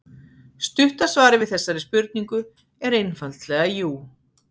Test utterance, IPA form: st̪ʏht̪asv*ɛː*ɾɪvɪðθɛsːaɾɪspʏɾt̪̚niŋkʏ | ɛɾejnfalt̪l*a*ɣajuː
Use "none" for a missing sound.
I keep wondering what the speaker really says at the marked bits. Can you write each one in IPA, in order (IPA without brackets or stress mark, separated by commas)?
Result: aː, ɛ